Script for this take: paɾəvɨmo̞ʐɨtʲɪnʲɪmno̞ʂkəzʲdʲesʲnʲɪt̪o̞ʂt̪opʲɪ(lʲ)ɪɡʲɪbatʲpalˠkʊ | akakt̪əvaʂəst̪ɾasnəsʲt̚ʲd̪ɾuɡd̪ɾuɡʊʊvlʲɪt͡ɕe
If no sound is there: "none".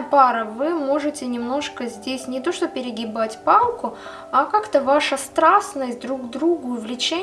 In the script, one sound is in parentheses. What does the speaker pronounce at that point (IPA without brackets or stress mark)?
ɾʲ